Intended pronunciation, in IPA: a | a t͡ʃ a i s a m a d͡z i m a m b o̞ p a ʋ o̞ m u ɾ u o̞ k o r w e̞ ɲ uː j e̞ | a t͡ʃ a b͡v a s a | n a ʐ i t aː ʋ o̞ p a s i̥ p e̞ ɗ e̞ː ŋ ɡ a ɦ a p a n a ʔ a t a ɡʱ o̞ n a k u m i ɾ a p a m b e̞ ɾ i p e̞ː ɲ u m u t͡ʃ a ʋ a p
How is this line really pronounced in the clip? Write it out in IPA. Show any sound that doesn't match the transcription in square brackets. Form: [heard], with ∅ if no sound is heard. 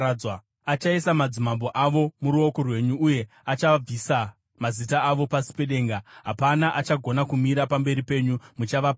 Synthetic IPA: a | a t͡ʃ a i s a m a d͡z i m a m b o̞ [ʔ] a ʋ o̞ m u ɾ u o̞ k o r w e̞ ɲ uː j e̞ | a t͡ʃ a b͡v [i] s a | [m] a [z] i t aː ʋ o̞ p a s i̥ p e̞ ɗ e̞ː ŋ ɡ a ɦ a p a n a ʔ a [t͡ʃ] a ɡʱ o̞ n a k u m i ɾ a p a m b e̞ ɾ i p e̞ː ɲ u m u t͡ʃ a ʋ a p